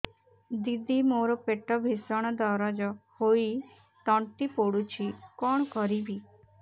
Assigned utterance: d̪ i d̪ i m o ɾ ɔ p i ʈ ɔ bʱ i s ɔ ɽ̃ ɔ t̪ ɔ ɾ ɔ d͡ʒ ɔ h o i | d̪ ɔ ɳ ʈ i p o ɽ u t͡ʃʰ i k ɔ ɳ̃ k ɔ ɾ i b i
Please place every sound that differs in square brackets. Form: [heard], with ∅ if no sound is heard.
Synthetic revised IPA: d̪ i d̪ i m o ɾ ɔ p [e] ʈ ɔ bʱ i s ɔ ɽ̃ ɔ [d̪] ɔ ɾ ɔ d͡ʒ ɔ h o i | [t̪] ɔ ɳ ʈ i p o ɽ u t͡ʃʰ i k ɔ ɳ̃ k ɔ ɾ i b i